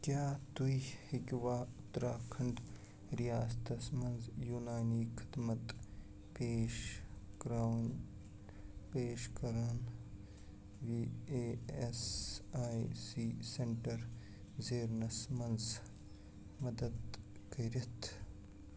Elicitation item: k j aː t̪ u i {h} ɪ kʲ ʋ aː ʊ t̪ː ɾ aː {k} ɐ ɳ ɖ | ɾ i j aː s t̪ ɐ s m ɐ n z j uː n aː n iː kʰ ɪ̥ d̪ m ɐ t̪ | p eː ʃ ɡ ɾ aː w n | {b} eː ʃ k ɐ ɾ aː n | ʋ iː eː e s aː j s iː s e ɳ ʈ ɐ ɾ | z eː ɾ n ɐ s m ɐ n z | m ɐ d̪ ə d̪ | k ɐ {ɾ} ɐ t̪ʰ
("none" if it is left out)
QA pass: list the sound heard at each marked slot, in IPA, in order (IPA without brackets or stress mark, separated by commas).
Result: h, kʰ, p, ɾ